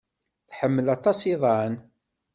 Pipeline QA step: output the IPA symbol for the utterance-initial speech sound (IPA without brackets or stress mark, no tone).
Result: θ